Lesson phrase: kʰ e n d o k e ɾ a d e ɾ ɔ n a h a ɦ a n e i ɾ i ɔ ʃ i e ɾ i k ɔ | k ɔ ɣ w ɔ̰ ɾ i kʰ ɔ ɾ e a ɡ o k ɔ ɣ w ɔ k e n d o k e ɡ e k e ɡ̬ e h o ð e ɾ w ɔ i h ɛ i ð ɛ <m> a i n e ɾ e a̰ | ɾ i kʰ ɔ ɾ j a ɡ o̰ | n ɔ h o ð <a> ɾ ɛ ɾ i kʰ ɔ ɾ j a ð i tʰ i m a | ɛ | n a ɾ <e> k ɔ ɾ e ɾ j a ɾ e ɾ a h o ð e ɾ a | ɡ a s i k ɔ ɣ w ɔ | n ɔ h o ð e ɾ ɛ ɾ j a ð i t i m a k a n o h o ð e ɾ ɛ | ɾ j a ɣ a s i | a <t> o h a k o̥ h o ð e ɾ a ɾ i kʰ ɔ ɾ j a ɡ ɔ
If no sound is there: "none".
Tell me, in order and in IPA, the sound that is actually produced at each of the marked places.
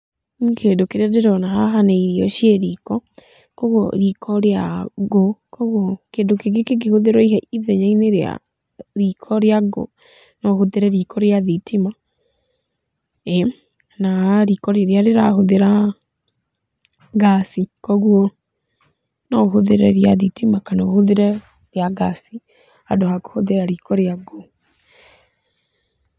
ɲ, e, i, d

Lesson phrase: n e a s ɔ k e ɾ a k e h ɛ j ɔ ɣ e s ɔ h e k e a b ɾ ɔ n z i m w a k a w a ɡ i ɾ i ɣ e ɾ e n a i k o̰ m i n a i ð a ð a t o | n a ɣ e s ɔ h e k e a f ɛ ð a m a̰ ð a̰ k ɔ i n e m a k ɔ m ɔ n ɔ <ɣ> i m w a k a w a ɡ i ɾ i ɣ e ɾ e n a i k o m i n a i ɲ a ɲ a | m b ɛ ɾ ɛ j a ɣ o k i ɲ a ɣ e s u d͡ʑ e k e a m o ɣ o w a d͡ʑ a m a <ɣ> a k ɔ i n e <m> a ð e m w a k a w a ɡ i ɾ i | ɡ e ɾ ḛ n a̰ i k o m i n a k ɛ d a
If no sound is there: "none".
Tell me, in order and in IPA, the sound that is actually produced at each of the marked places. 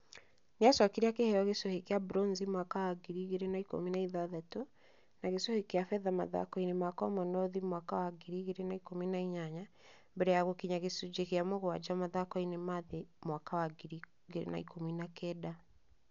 ð, ð, m

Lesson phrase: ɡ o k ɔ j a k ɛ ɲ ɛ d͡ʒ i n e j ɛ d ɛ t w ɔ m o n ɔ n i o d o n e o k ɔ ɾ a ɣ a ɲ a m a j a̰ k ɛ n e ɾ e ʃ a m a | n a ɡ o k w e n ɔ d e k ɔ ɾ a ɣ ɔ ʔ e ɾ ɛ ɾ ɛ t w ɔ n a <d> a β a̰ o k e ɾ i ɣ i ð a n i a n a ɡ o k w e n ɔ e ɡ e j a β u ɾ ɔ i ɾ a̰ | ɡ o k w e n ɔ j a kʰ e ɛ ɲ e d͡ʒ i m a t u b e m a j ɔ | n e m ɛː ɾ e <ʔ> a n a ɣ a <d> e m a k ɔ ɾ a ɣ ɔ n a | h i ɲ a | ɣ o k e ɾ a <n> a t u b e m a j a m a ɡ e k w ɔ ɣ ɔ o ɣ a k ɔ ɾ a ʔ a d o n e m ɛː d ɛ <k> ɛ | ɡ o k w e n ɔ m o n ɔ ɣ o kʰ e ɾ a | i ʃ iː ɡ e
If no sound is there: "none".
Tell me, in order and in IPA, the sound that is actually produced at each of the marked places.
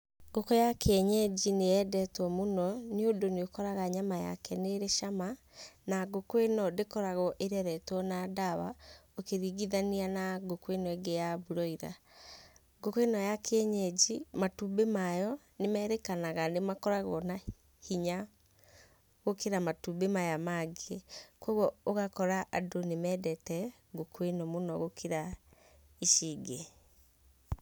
d, k, n, m, t

